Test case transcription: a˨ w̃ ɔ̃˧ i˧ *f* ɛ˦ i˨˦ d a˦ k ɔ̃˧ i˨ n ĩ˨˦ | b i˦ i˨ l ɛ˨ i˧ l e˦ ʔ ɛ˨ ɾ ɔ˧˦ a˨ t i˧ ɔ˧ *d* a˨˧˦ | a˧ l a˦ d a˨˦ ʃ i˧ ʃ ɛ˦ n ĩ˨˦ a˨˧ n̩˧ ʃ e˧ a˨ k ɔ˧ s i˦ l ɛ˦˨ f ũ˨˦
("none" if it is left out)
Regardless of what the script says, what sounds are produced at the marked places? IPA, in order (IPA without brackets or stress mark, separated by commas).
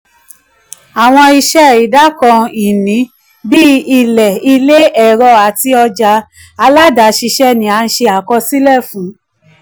ʃ, d͡ʒ